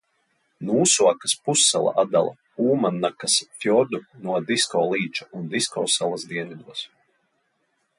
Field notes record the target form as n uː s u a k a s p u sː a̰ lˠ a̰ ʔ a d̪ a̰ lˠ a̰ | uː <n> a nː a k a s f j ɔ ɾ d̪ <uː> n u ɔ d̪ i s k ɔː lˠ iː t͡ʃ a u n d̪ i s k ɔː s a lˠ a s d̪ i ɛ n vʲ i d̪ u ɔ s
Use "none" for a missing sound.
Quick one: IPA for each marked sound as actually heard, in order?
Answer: m, u

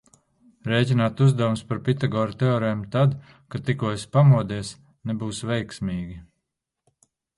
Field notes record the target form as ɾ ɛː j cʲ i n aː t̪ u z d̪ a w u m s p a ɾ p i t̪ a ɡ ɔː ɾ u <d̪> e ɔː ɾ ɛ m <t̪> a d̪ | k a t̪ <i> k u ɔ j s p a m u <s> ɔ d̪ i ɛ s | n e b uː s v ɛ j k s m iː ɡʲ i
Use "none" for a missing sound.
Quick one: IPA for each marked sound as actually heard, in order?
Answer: t̪, t̪, i, none

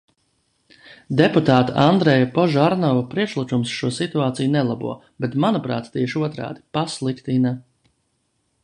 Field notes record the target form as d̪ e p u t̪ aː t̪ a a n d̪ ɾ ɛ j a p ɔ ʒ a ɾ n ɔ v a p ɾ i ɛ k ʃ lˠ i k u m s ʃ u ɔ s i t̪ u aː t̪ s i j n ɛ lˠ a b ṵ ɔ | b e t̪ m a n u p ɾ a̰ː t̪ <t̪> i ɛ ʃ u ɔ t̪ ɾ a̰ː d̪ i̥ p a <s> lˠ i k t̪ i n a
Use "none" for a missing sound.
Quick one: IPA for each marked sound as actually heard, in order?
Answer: t̪, s

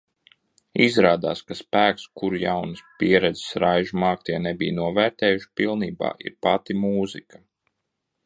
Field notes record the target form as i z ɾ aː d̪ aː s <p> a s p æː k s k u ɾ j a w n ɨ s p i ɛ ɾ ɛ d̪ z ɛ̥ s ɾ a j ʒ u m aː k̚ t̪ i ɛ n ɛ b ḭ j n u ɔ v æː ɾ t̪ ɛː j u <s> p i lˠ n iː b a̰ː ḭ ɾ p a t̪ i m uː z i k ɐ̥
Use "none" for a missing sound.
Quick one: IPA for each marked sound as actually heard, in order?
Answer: k, ʃ

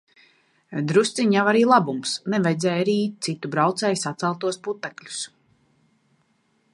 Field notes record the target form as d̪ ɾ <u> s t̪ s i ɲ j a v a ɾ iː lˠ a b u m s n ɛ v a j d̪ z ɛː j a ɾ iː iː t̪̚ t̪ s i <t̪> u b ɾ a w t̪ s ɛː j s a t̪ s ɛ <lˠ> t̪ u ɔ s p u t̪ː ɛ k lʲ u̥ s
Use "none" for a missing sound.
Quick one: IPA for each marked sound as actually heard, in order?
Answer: u, t̪, lˠ

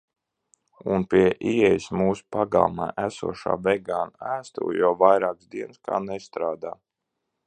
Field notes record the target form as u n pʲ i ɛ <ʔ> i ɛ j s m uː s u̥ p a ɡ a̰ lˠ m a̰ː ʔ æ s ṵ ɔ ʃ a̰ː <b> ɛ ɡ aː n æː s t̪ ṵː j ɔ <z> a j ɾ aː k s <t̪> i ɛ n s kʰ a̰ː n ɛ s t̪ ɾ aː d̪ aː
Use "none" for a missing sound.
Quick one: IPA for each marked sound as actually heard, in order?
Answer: ʔ, v, v, d̪

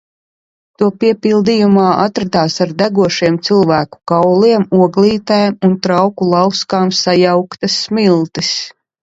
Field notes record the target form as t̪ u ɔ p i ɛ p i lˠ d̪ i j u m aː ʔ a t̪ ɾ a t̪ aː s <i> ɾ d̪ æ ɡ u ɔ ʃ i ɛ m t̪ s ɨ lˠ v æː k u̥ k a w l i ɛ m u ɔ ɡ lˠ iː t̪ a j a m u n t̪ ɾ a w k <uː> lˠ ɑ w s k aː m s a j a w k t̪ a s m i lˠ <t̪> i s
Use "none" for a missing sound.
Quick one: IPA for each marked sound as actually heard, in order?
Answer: a, u, t̪

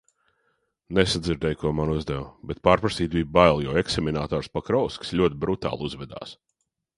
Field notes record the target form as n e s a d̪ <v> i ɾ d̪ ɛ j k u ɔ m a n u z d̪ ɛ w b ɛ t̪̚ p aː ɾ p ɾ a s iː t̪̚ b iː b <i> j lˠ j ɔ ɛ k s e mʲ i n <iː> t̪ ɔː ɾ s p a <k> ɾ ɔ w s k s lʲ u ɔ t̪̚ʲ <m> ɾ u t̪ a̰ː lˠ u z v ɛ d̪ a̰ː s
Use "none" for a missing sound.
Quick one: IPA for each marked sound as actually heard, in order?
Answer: z, a, aː, k, b

